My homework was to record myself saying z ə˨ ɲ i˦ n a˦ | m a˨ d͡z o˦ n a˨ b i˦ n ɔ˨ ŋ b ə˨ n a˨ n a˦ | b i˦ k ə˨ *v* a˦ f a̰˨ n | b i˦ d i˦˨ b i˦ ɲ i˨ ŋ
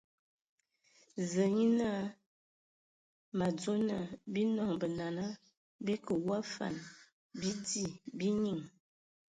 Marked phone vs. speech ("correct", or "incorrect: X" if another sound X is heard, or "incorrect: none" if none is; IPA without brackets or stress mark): incorrect: w